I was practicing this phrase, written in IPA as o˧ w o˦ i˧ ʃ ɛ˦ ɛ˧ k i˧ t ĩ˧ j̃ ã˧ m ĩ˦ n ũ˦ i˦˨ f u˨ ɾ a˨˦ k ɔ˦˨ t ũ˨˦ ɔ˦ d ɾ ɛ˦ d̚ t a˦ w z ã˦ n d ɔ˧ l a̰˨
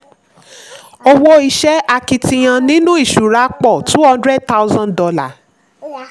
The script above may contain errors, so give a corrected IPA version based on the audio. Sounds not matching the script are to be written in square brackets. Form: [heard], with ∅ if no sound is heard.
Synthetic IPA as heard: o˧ w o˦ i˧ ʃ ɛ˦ [a˧] k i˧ t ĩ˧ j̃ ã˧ [n] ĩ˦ n ũ˦ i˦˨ [ʃ] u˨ ɾ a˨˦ [k͡p] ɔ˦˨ t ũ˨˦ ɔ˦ d ɾ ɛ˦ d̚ t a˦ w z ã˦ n d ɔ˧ l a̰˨